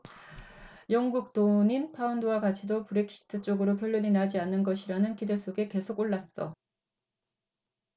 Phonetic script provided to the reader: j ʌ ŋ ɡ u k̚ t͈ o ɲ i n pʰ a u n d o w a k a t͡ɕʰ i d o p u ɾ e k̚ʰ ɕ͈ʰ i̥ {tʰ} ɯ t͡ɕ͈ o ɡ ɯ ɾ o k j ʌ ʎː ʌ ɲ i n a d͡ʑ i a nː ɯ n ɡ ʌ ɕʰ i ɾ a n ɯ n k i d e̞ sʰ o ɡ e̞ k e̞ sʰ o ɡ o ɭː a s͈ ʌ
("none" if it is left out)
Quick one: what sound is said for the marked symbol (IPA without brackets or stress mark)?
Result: tʰ